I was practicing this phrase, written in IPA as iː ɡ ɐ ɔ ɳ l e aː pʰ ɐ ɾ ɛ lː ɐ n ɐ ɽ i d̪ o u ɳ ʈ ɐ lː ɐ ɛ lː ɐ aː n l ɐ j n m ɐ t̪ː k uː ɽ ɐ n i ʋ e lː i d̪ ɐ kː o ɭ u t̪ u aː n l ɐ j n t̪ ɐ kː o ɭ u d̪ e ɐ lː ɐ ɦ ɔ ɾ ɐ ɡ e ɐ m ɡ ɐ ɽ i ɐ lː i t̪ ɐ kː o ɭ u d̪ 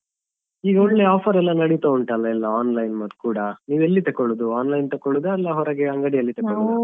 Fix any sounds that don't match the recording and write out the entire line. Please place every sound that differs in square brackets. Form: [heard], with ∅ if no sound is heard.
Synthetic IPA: iː ɡ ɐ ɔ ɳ l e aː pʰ ɐ ɾ ɛ lː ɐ n ɐ ɽ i [t̪] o u ɳ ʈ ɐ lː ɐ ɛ lː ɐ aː n l ɐ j n m ɐ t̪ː k uː ɽ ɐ n [iː] ʋ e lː i [t̪] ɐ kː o ɭ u [d̪] u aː n l ɐ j n t̪ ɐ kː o ɭ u d̪ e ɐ lː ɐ ɦ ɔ ɾ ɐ ɡ e ɐ [ŋ] ɡ ɐ ɽ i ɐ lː i t̪ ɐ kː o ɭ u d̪